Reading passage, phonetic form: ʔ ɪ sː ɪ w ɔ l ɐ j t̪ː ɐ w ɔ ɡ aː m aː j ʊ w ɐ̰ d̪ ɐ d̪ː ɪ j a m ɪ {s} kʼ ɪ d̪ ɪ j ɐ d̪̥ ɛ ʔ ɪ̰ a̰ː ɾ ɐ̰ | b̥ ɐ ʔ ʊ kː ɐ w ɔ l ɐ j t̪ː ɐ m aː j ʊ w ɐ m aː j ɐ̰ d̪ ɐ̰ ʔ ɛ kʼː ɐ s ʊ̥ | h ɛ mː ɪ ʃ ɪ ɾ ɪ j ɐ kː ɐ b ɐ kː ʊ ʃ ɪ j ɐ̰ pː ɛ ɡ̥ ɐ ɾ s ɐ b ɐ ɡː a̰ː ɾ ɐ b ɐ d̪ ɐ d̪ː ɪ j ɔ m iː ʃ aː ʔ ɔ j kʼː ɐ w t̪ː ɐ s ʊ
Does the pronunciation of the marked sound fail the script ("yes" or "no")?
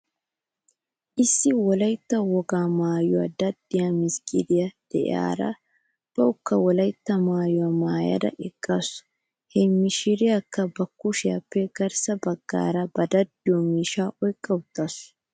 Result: no